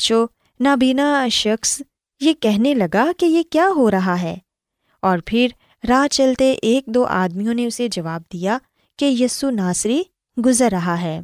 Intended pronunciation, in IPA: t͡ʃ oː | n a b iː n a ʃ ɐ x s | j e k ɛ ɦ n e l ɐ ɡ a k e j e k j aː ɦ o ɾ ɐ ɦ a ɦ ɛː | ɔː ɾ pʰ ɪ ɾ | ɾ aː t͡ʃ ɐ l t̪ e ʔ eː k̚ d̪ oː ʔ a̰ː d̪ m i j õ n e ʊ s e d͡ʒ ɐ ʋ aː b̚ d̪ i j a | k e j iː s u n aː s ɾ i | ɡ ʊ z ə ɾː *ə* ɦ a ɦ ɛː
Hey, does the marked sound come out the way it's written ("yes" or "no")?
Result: no